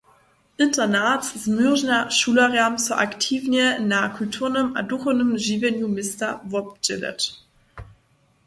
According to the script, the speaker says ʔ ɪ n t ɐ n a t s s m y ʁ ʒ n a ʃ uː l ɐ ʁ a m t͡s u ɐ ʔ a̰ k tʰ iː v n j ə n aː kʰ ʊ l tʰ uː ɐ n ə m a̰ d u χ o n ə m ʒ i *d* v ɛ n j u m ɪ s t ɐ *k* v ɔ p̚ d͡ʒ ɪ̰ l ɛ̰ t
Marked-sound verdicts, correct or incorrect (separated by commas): incorrect, incorrect